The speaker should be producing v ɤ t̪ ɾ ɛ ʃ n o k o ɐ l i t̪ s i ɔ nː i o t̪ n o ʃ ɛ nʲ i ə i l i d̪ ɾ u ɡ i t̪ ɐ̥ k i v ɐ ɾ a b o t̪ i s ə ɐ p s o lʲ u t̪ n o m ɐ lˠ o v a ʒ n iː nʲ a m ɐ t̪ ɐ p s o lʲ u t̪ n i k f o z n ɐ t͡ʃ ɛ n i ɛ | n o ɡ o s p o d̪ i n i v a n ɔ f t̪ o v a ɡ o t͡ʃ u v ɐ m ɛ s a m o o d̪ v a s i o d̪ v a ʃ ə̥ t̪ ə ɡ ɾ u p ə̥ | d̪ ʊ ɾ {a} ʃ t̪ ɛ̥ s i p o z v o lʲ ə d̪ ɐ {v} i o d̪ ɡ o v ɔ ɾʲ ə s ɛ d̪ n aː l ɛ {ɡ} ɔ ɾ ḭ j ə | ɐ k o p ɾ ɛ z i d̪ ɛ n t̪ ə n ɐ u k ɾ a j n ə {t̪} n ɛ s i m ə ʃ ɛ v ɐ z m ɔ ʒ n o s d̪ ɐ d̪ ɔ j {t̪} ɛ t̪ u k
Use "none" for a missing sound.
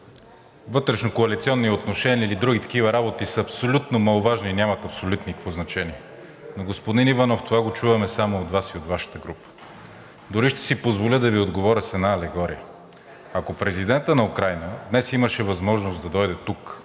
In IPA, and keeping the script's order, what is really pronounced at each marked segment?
i, v, ɡ, d̪, d̪

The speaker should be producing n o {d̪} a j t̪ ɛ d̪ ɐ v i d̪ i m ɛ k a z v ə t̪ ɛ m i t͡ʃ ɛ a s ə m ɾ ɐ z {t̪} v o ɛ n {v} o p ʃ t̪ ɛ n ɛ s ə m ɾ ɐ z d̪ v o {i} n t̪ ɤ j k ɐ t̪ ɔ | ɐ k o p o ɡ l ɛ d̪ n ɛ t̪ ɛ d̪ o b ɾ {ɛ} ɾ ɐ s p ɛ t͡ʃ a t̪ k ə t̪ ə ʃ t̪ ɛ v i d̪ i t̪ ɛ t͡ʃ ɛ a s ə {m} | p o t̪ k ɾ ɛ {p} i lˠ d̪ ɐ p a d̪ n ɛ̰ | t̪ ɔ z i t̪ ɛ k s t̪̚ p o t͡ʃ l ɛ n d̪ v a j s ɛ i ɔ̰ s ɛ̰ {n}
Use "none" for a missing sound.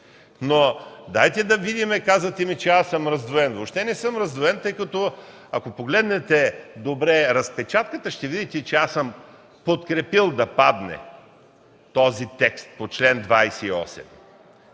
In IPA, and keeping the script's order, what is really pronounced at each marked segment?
d̪, d̪, v, ɛ, ɛ, m, p, m

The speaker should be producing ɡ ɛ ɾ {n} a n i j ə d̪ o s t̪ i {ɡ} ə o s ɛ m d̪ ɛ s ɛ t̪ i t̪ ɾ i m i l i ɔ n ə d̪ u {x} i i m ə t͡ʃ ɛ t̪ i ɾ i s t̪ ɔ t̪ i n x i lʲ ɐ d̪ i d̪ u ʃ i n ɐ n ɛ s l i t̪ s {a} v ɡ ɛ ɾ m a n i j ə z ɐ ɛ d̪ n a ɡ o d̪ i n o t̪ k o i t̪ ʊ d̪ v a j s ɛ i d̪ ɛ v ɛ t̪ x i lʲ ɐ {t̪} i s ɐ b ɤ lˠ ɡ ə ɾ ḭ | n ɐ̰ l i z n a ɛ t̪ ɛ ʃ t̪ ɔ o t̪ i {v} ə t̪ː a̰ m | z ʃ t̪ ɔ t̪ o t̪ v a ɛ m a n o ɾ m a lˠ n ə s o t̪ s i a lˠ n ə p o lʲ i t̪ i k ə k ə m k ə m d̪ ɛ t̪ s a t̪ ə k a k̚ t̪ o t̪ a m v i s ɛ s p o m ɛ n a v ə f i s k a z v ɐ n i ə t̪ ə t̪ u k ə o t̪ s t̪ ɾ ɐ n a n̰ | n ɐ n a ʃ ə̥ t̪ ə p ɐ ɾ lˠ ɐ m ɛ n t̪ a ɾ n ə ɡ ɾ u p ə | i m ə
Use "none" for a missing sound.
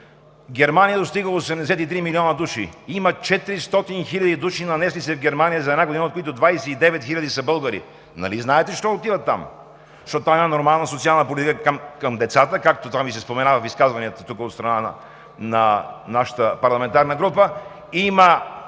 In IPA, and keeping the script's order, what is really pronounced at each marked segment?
m, ɡ, ʃ, ɛ, d̪, v

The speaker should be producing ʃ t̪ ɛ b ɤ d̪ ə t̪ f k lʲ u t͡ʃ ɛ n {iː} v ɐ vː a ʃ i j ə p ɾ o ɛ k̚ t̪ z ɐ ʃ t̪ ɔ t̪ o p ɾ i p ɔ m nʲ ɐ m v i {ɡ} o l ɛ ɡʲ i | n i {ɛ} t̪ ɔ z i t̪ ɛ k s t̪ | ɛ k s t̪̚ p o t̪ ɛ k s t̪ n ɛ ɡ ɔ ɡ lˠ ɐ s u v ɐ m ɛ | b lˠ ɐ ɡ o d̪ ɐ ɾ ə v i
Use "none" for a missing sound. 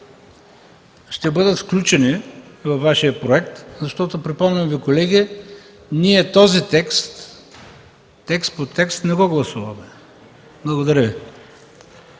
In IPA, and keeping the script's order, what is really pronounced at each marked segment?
i, k, ɛ

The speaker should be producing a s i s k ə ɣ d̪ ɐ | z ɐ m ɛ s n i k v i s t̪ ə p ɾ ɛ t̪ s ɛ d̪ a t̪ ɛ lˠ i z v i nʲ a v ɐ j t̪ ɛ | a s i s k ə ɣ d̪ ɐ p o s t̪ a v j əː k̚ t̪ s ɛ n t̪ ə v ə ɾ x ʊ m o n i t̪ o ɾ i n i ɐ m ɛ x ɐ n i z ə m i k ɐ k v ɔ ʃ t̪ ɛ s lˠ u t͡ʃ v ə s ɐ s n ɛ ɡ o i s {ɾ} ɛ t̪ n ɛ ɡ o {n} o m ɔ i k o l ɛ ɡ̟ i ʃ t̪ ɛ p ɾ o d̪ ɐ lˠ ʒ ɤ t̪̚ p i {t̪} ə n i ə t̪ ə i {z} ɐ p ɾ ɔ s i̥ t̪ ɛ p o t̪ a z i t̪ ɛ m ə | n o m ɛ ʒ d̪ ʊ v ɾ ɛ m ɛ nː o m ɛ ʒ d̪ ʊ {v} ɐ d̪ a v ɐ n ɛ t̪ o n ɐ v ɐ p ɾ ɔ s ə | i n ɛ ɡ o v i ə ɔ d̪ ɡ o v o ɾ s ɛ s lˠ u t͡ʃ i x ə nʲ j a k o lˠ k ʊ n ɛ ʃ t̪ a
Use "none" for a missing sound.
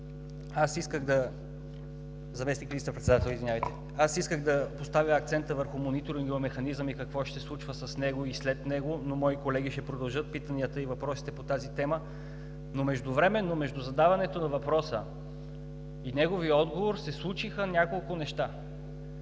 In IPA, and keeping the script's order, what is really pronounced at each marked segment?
l, n, t̪, v, z

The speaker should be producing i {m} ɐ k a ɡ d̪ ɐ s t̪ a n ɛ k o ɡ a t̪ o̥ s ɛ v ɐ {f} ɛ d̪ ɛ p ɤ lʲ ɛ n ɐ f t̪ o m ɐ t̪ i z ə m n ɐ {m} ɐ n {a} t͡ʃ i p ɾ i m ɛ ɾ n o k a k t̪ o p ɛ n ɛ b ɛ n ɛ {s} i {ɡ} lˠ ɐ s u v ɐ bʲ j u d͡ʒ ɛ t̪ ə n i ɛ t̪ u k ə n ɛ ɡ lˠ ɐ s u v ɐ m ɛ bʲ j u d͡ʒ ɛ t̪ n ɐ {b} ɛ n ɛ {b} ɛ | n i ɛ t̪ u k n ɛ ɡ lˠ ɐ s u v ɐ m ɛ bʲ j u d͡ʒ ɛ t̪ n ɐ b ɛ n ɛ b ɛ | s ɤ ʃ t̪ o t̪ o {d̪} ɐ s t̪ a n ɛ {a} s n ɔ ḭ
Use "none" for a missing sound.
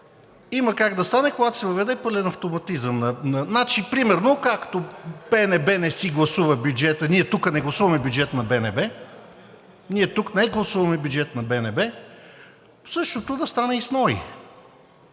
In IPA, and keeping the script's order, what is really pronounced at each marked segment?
m, v, n, a, s, ɡ, b, b, d̪, i

